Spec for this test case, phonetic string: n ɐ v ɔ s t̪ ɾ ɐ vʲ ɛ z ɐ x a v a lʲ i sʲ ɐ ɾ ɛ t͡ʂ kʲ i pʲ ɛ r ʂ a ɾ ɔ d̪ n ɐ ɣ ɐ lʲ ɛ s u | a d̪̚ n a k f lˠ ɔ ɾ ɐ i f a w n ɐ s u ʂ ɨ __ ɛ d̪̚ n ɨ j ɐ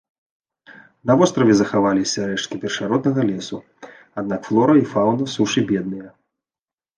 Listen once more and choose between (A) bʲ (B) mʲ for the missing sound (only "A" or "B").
A